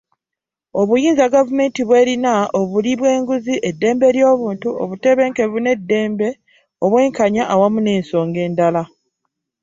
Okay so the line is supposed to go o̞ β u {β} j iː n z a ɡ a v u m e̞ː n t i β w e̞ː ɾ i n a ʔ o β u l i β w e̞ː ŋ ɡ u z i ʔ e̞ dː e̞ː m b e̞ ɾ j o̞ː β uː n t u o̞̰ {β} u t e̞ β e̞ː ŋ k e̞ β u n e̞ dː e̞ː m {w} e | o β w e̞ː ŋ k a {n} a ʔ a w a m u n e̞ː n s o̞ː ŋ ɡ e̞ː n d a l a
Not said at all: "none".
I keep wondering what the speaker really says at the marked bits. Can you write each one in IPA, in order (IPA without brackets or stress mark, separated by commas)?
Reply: none, β, b, ɲ